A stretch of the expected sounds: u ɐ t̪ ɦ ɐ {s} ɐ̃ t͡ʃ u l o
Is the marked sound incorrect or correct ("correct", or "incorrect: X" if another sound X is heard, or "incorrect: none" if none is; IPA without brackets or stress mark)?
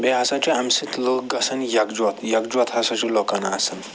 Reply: correct